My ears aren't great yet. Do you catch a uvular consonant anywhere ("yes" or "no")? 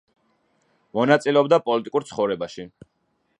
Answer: yes